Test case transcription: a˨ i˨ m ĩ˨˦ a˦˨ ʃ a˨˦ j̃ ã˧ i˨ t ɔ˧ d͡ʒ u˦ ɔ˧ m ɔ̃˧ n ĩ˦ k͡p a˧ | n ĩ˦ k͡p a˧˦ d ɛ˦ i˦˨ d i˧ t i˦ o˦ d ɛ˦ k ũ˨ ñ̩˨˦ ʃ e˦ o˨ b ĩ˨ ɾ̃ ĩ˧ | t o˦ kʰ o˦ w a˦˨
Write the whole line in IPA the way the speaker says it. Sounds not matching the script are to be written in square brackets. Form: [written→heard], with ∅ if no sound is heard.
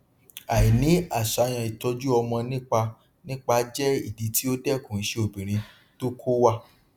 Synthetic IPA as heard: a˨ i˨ [m→n] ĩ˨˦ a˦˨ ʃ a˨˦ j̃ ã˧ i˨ t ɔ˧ d͡ʒ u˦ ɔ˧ m ɔ̃˧ n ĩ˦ k͡p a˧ | n ĩ˦ k͡p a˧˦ [d→d͡ʒ] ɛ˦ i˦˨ d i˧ t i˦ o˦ d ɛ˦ k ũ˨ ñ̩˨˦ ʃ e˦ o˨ b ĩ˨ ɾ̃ ĩ˧ | t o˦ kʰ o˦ w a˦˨

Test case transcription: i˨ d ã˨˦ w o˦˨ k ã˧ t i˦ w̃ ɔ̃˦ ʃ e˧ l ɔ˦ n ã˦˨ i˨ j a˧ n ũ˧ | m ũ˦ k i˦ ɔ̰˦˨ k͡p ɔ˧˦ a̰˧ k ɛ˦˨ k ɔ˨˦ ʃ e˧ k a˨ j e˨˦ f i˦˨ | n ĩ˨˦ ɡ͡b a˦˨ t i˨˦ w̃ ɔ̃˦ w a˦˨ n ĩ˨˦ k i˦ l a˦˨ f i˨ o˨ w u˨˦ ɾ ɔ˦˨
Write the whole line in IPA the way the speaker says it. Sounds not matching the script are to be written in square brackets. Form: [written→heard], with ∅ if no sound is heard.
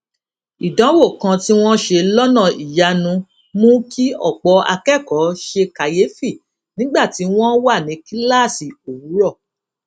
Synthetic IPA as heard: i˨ d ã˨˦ w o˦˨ k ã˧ t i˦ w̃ ɔ̃˦ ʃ e˧ l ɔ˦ n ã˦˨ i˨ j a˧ n ũ˧ | m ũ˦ k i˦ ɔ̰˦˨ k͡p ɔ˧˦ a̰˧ k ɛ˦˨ k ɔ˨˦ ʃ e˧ k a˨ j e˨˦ f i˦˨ | n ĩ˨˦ ɡ͡b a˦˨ t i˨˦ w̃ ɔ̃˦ w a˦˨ n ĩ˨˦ k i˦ l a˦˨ [f→s] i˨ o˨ w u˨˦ ɾ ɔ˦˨

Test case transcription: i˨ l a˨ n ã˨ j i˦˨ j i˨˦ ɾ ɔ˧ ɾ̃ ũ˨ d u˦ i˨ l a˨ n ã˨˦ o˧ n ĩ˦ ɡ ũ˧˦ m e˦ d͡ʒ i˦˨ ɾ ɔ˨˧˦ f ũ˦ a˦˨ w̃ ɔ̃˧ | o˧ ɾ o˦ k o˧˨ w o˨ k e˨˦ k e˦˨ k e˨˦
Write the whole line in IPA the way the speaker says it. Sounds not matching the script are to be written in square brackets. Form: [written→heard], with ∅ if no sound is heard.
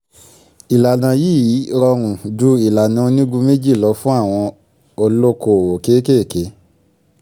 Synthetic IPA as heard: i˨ l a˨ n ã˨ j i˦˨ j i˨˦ ɾ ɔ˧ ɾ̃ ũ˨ d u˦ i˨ l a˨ n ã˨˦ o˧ n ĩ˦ ɡ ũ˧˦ m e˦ d͡ʒ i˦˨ [ɾ→l] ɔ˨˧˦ f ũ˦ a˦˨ w̃ ɔ̃˧ | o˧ [ɾ→l] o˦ k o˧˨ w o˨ k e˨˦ k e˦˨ k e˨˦

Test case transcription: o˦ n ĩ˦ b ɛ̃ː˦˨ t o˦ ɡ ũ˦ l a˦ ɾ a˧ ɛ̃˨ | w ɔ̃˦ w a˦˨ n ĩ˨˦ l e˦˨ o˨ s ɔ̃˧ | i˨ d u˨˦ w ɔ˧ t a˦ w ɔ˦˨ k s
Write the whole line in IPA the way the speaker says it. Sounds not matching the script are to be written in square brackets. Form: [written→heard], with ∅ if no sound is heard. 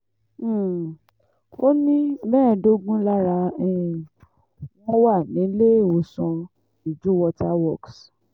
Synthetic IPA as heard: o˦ n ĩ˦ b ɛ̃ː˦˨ [t→d] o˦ ɡ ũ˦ l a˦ ɾ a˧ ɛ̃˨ | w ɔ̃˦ w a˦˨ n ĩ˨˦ l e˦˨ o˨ s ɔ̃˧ | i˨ [d→d͡ʒ] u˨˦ w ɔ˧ t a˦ w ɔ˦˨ k s

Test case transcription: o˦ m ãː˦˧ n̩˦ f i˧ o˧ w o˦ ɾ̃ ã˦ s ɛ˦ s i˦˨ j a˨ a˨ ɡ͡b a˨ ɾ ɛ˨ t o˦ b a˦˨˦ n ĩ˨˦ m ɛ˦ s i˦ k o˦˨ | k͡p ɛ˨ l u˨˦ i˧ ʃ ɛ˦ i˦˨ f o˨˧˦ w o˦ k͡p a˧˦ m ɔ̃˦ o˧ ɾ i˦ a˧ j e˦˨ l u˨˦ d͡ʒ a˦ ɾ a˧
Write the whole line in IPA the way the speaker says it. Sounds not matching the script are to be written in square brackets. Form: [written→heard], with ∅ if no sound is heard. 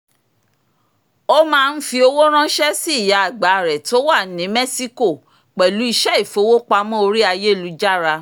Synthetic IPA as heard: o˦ m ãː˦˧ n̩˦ f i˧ o˧ w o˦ ɾ̃ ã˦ [s→ʃ] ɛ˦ s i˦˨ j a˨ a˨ ɡ͡b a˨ ɾ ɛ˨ t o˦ [b→w] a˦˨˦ n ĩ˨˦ m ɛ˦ s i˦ k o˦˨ | k͡p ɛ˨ l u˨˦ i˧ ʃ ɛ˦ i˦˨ f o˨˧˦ w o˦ k͡p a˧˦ m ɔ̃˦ o˧ ɾ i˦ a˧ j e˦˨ l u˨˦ d͡ʒ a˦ ɾ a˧

